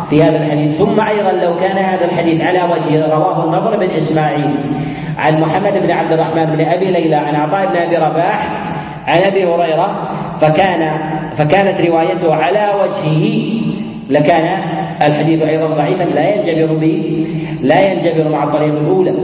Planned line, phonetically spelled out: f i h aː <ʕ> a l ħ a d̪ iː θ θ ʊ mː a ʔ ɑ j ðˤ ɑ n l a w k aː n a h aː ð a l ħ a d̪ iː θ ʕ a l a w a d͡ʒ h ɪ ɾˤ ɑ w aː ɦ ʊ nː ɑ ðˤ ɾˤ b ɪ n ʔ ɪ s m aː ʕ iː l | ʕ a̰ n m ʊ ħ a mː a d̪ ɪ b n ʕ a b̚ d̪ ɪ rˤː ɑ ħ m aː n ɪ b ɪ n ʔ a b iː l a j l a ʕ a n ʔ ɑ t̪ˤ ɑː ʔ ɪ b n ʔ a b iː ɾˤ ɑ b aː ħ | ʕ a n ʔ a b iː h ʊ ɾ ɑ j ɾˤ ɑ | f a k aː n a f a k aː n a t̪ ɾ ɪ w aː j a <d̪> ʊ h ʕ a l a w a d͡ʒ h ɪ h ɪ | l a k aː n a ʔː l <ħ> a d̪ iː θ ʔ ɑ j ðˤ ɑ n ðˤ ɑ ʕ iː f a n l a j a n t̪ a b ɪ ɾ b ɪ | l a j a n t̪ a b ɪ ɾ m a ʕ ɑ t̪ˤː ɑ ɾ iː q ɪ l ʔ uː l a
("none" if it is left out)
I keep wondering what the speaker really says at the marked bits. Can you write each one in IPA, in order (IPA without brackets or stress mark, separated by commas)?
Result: ð, t̪, ħ